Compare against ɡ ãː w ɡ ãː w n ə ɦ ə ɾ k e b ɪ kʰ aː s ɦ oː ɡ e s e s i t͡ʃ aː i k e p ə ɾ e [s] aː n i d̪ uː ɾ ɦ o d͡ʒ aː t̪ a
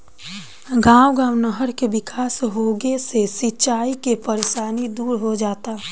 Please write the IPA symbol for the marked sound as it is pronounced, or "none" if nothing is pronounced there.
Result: ʃ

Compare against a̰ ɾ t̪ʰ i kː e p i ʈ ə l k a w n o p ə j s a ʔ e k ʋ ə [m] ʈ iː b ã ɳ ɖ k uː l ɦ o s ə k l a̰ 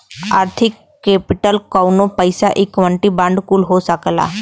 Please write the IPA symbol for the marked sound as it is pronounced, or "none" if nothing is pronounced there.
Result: ɳ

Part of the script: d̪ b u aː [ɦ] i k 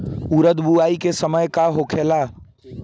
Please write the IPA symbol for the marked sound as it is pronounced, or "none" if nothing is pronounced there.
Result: none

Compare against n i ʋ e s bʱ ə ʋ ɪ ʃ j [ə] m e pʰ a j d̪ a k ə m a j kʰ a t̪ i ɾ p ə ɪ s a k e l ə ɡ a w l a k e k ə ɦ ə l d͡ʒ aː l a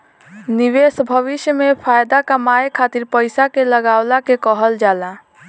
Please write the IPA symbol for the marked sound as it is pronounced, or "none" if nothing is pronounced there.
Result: ə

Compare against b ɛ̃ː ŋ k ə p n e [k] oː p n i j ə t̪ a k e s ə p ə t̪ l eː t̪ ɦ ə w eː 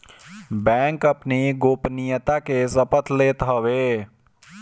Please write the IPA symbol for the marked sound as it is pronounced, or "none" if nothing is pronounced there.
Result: ɡ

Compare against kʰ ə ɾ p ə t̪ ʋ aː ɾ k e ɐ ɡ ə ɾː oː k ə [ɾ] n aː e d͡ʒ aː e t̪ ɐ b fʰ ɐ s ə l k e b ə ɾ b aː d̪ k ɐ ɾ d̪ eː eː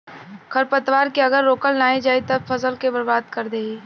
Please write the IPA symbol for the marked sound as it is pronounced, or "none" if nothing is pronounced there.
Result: l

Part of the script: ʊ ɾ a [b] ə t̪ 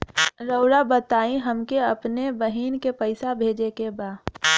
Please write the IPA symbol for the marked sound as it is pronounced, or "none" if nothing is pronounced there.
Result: b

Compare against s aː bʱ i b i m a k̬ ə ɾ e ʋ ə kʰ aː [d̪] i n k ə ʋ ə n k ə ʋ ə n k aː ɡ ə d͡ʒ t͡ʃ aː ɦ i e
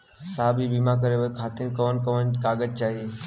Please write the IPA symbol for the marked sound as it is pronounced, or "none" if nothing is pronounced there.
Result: t̪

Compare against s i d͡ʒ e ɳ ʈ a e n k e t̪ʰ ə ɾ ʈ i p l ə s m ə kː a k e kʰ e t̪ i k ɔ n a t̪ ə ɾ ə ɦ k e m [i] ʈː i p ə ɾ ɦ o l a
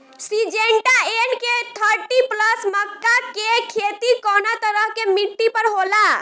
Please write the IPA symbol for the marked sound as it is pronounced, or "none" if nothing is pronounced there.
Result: i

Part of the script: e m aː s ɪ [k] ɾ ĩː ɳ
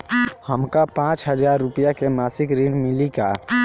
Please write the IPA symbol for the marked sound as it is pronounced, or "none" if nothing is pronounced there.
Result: k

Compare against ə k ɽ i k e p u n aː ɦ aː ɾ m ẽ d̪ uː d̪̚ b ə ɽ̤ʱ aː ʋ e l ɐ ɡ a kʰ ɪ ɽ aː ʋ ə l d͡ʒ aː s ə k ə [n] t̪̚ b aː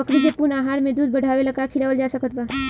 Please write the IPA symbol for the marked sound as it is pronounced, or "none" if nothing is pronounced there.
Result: none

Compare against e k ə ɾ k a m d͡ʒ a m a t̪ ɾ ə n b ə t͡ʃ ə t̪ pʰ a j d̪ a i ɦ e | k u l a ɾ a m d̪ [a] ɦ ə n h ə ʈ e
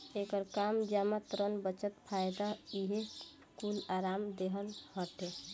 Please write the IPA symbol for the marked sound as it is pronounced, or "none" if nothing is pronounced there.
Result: e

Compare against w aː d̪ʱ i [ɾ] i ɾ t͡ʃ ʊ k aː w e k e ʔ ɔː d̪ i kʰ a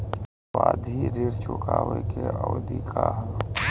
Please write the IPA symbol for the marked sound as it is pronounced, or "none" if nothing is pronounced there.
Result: ɾ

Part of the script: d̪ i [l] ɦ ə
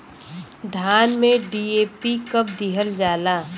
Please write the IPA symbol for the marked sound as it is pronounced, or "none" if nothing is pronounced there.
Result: none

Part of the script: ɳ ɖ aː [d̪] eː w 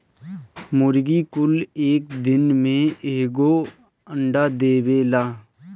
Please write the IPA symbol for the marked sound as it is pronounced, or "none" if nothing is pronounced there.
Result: d̪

